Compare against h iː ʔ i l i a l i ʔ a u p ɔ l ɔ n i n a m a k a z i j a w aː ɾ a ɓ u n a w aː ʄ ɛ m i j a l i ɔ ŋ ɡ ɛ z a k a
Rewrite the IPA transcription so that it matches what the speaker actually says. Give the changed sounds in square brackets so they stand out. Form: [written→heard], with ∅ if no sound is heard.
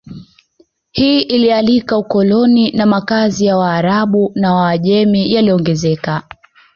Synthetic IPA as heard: h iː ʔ i l i a l i [ʔ→k] a u [p→k] ɔ l ɔ n i n a m a k a z i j a w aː ɾ a ɓ u n a w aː ʄ ɛ m i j a l i ɔ ŋ ɡ ɛ z [a→ɛ] k a